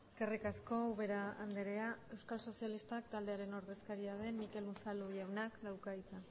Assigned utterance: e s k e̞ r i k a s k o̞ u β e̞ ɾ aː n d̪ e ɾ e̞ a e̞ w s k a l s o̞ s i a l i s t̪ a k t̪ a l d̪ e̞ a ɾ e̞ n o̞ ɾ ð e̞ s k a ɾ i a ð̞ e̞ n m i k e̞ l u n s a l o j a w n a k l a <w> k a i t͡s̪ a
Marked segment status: correct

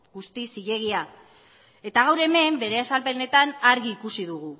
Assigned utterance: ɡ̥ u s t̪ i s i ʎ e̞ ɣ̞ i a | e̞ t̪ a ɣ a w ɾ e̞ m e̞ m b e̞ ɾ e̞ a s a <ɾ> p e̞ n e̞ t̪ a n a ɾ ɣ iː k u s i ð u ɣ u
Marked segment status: incorrect: l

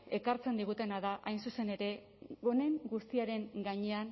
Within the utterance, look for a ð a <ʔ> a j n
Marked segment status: correct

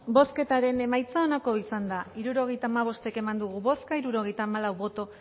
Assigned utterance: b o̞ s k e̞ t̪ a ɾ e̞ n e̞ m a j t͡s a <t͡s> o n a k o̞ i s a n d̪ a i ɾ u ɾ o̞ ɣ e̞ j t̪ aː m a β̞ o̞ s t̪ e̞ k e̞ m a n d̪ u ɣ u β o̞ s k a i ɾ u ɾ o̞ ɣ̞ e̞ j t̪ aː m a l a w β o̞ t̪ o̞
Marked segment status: incorrect: none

